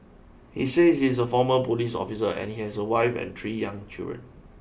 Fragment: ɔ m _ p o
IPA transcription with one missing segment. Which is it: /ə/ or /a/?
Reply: ə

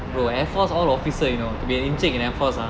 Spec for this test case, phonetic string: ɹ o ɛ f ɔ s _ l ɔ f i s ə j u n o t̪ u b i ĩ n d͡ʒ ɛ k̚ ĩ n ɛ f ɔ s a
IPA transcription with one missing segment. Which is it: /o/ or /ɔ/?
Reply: ɔ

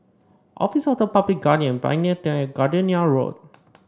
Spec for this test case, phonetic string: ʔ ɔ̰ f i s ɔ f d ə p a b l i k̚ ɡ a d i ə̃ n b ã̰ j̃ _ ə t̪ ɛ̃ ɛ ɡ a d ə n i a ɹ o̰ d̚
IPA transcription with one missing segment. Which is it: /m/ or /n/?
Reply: n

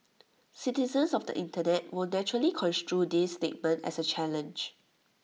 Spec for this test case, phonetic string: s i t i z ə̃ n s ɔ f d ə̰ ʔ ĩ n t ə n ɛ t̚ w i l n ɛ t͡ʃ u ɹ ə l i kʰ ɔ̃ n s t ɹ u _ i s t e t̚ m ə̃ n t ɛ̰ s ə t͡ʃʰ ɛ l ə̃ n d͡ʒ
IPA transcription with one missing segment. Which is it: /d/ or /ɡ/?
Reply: d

